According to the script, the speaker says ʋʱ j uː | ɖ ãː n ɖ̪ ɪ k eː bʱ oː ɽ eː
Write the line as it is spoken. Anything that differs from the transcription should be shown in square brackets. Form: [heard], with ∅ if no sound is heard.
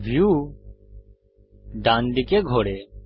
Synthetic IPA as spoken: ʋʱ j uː | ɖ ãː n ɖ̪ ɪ k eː [ɡʱ] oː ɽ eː